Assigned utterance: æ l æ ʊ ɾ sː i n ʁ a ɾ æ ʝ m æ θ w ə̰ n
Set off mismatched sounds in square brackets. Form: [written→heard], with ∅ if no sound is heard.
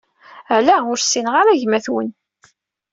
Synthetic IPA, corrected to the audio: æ l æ ʊ ɾ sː i n ʁ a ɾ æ ʝ m æ θ w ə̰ n